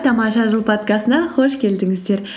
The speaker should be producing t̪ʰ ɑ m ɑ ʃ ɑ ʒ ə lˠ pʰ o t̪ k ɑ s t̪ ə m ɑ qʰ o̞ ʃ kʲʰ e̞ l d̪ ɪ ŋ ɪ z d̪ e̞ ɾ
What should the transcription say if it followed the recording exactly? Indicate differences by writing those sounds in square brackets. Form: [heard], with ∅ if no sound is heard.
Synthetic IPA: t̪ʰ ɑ m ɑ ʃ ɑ ʒ ə lˠ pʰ o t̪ k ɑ s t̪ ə [n] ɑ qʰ o̞ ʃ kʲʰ e̞ l d̪ ɪ ŋ ɪ z d̪ e̞ ɾ